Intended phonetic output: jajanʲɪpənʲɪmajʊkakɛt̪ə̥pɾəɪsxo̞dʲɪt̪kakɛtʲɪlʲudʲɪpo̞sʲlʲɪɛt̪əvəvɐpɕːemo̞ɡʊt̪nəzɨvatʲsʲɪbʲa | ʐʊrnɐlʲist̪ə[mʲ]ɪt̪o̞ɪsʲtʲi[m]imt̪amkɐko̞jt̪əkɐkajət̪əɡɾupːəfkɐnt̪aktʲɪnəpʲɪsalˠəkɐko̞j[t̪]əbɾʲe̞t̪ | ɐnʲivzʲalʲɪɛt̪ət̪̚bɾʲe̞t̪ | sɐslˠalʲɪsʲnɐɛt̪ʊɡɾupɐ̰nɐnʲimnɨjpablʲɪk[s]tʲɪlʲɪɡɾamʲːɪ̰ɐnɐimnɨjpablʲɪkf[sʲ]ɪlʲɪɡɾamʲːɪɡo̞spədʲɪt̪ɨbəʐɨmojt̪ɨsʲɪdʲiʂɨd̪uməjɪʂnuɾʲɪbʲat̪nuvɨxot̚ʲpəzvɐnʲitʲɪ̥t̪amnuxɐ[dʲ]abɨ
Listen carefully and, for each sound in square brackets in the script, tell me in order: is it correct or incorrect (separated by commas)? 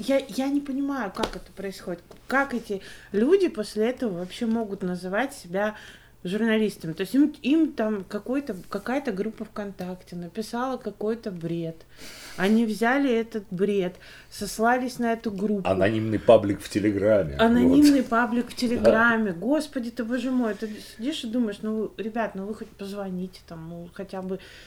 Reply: correct, correct, correct, incorrect, incorrect, incorrect